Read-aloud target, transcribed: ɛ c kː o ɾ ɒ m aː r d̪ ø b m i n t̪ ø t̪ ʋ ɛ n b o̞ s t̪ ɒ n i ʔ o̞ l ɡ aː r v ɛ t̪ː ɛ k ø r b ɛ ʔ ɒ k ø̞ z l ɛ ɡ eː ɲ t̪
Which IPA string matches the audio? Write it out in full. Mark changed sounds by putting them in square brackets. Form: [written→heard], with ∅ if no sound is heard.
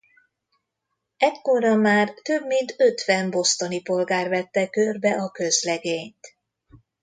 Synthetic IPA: ɛ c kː o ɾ ɒ m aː r [d̪→t̪] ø b m i n t̪ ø t̪ ʋ ɛ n b o̞ s t̪ [ɒ→o] n i [ʔ→p] o̞ l ɡ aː r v ɛ t̪ː ɛ k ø r b ɛ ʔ ɒ k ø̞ z l ɛ ɡ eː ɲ t̪